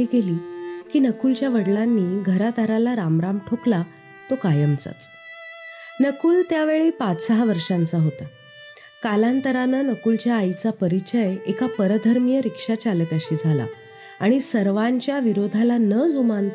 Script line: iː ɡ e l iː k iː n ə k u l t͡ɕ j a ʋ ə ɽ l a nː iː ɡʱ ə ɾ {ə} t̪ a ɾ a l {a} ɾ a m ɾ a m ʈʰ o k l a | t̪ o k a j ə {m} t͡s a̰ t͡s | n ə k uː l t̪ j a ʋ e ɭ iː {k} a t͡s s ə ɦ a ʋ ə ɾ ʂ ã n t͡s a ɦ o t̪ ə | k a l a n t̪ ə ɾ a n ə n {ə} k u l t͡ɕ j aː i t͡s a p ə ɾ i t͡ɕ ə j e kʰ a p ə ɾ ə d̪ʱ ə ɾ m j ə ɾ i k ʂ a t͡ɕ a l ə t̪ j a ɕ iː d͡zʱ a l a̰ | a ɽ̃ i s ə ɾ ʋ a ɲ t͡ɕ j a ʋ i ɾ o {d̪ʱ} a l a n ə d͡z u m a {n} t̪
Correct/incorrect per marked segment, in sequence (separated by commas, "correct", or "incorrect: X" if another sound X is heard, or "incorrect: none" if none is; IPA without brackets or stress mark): incorrect: a, correct, correct, incorrect: p, correct, correct, correct